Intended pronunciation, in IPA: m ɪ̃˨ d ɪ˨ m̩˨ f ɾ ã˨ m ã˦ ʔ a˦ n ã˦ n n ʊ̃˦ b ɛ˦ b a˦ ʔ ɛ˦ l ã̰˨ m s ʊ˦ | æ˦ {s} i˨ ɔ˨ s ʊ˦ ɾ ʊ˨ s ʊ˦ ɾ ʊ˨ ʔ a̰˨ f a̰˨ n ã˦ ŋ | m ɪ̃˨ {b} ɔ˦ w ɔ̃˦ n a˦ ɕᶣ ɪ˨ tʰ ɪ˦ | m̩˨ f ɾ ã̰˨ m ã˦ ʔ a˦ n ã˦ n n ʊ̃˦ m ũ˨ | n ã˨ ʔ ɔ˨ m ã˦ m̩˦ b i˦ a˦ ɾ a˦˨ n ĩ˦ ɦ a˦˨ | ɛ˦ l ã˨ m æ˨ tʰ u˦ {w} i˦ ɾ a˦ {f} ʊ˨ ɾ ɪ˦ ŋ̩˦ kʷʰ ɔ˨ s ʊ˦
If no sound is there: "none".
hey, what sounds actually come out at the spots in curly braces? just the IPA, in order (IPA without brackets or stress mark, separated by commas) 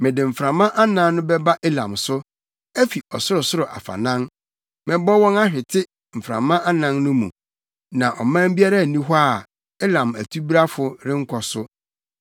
f, b, b, f